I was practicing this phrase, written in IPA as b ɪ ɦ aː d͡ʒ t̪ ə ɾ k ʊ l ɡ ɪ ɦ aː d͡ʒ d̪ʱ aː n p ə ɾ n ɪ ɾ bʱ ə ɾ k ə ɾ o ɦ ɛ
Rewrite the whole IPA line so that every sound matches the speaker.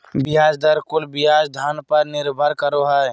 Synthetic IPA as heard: b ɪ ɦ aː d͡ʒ d̪ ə ɾ k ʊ l b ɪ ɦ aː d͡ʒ d̪ʱ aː n p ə ɾ n ɪ ɾ bʱ ə ɾ k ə ɾ o ɦ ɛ